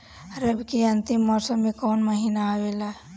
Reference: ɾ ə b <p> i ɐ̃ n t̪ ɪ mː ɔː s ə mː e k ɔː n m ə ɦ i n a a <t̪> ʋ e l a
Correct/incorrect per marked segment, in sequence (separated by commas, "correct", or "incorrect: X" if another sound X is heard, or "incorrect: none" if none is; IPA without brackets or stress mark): incorrect: k, incorrect: none